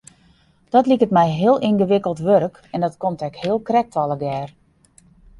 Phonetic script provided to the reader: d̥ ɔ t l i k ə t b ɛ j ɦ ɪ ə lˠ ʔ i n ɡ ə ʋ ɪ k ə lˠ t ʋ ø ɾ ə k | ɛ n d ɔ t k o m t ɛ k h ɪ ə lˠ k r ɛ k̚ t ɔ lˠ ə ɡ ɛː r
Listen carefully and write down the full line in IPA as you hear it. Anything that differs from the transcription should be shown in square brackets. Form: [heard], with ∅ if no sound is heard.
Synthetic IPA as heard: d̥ ɔ t l i k ə t [m] ɛ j ɦ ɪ ə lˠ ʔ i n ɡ ə ʋ ɪ k ə lˠ t ʋ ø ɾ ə k | ɛ n d ɔ t k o m t ɛ k h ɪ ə lˠ k r ɛ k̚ t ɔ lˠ ə ɡ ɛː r